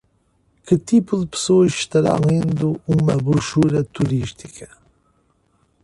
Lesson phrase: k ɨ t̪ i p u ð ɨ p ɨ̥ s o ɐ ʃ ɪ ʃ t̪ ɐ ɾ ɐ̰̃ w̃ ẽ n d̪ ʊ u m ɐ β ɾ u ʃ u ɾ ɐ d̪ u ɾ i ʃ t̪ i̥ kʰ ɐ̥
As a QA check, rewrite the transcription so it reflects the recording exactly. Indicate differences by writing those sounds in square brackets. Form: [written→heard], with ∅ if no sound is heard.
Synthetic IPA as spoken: k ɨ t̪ i p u ð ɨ p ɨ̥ s o ɐ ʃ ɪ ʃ t̪ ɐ ɾ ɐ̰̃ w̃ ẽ n d̪ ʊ u m ɐ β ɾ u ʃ u ɾ ɐ [d̪→t̪] u ɾ i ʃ t̪ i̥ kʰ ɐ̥